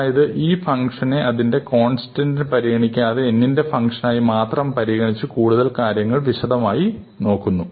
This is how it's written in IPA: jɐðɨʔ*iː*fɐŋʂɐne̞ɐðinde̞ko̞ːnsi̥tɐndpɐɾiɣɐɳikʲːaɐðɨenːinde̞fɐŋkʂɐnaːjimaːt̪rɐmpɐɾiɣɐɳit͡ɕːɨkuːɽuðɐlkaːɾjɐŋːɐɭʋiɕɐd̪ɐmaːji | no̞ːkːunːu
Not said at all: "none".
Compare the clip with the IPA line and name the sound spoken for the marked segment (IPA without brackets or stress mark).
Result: iː